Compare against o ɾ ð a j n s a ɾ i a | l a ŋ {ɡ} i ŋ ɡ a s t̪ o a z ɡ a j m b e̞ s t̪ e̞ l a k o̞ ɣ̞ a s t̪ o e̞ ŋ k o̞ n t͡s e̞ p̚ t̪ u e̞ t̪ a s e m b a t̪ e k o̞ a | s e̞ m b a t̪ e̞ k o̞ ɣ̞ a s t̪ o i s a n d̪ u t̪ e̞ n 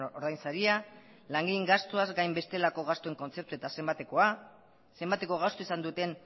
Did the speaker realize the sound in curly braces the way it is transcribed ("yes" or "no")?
yes